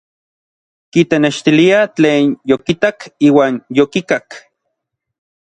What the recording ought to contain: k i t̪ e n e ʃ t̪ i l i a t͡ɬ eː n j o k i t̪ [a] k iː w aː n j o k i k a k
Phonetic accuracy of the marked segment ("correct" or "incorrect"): correct